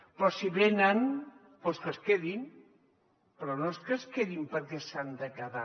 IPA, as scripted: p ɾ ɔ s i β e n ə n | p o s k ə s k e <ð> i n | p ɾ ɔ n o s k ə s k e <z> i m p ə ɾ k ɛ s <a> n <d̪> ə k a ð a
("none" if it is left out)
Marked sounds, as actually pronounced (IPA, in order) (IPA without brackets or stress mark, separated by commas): ð, ð, a, d̪